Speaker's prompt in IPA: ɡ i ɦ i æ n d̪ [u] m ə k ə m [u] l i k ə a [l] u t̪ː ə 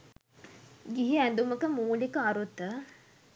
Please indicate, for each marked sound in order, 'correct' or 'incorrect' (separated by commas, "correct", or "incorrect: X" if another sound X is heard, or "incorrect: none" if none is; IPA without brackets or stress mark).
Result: correct, incorrect: uː, incorrect: ɾ